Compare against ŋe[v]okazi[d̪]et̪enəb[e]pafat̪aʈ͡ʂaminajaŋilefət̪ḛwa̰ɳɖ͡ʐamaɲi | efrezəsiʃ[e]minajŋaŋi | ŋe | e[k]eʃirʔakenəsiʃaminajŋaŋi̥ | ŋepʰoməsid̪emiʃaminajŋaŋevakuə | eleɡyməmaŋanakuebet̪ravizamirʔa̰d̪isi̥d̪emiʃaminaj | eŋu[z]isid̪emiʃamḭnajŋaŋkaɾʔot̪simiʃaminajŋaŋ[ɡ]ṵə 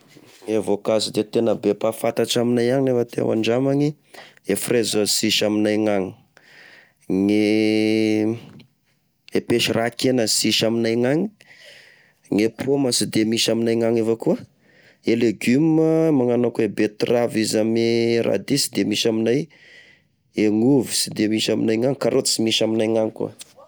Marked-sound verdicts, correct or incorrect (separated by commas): correct, correct, correct, incorrect, incorrect, incorrect, incorrect